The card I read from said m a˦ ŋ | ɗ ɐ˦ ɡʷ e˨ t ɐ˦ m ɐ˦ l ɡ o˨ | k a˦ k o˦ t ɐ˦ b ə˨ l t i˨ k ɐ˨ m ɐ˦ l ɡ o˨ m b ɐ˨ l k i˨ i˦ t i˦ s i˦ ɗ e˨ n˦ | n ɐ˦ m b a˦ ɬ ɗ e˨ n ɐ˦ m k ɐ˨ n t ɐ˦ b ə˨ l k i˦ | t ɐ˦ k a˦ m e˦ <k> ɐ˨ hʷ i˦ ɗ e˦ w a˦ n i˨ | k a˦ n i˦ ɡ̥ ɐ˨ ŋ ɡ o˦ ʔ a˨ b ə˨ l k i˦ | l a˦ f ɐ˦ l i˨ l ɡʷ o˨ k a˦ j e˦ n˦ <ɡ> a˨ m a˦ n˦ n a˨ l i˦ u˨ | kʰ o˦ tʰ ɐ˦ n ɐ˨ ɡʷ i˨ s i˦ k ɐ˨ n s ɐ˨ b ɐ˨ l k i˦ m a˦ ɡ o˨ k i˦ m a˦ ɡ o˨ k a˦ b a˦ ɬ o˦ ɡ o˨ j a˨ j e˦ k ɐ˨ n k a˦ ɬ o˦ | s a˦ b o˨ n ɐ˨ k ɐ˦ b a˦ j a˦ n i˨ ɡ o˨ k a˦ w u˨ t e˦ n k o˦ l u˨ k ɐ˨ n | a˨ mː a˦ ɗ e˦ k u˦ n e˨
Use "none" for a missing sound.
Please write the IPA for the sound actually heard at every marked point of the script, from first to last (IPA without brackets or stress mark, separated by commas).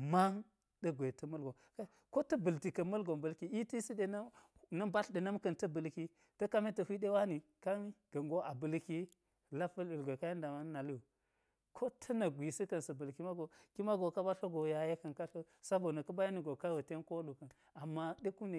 t, d